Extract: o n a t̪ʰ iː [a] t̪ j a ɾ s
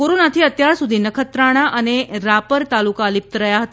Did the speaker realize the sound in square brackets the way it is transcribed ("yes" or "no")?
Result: no